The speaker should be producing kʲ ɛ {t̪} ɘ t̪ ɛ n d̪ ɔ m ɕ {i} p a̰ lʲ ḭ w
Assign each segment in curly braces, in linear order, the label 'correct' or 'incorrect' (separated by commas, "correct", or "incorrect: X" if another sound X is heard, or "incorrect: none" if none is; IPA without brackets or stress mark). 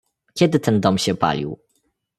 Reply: incorrect: d̪, incorrect: ɛ